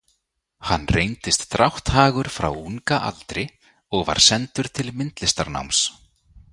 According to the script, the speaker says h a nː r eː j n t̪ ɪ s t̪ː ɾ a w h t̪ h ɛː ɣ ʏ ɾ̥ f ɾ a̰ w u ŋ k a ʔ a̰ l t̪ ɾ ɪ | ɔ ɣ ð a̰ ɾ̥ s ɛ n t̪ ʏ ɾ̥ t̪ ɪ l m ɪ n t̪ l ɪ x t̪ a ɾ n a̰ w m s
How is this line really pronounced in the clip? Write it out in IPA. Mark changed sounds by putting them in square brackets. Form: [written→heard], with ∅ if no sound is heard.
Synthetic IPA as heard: h a nː r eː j n t̪ ɪ s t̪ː ɾ a w h t̪ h [ɛː→aː] ɣ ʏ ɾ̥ f ɾ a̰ w u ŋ k a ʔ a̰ l t̪ ɾ ɪ | ɔ ɣ [ð→v] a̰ ɾ̥ s ɛ n t̪ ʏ ɾ̥ [t̪→t̪ʰ] ɪ l m ɪ n t̪ l ɪ [x→s] t̪ a ɾ n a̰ w m s